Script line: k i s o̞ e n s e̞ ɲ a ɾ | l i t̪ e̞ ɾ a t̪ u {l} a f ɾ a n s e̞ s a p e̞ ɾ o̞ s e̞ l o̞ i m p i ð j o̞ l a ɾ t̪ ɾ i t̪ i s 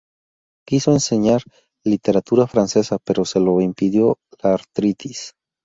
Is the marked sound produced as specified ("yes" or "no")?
no